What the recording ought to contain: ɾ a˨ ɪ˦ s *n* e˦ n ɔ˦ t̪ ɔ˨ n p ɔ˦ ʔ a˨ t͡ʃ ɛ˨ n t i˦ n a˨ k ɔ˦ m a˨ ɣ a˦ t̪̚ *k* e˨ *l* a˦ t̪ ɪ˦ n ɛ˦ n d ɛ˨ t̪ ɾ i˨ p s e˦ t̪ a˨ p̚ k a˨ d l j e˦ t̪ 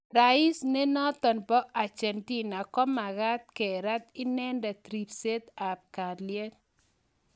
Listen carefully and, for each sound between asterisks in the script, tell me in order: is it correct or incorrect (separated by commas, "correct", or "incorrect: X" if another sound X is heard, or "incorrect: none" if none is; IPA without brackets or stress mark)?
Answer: correct, correct, incorrect: ɾ